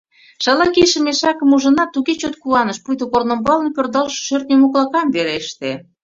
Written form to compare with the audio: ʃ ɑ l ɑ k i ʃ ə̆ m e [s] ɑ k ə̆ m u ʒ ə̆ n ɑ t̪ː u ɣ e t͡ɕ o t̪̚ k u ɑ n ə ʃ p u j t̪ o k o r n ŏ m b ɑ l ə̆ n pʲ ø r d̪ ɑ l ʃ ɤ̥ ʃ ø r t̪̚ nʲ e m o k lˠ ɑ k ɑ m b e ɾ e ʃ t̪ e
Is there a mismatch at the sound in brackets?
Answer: yes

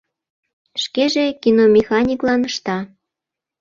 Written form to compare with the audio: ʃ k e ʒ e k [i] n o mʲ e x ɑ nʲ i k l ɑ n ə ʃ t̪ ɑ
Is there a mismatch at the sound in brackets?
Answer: no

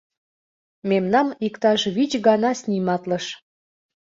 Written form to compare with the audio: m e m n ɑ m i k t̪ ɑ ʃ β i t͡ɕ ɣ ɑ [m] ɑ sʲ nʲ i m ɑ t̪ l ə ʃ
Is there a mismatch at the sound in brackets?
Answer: yes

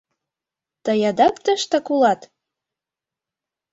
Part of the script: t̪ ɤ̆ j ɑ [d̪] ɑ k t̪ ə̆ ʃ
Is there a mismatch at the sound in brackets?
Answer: no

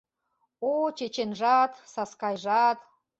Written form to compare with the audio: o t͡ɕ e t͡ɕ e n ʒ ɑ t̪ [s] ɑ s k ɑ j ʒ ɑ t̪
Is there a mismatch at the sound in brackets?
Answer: no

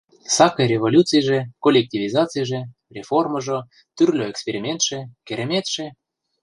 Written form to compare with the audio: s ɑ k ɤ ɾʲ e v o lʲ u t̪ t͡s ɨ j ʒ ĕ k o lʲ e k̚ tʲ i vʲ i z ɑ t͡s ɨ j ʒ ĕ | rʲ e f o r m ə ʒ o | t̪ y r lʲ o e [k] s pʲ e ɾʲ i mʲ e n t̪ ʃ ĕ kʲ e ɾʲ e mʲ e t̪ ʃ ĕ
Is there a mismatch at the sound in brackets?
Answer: no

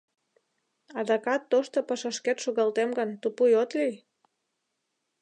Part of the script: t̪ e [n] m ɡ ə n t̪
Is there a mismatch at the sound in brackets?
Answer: yes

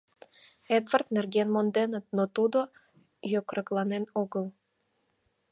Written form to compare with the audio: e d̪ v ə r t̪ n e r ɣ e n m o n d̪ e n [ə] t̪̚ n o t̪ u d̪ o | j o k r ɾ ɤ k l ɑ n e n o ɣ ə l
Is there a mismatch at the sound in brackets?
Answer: no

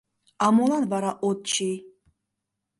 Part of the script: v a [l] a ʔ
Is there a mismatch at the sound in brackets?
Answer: yes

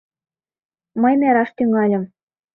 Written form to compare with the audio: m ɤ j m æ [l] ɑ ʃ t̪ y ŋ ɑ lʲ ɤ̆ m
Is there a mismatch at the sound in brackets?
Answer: yes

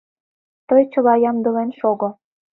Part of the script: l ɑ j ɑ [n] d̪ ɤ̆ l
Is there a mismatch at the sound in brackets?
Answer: yes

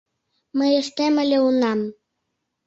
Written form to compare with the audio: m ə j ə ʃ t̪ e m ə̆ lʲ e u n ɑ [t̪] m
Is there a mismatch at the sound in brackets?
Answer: yes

